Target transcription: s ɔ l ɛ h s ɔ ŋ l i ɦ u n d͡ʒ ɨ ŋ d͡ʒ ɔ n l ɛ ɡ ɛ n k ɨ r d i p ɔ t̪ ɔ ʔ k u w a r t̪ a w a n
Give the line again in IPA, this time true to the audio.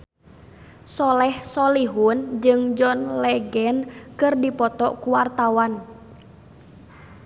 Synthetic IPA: s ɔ l ɛ h s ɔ l i ɦ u n d͡ʒ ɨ ŋ d͡ʒ ɔ n l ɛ ɡ ɛ n k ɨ r d i p ɔ t̪ ɔ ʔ k u w a r t̪ a w a n